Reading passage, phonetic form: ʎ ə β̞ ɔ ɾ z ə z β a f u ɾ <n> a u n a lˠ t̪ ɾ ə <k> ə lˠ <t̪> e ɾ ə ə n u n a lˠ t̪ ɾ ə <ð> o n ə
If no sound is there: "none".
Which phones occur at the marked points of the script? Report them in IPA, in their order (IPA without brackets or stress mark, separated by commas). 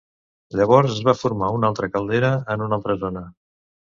m, k, d̪, z